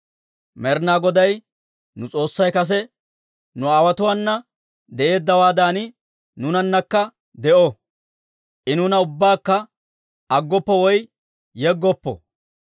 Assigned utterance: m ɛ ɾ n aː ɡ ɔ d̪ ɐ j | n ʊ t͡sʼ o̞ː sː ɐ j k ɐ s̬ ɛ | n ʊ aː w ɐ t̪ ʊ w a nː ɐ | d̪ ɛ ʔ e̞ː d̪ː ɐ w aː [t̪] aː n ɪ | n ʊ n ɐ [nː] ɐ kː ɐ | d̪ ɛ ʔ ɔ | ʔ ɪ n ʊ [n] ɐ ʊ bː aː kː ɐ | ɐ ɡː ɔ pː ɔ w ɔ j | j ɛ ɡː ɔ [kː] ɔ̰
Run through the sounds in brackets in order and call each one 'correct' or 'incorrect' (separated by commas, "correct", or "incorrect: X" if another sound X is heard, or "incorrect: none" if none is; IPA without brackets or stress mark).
incorrect: d̪, correct, correct, incorrect: pː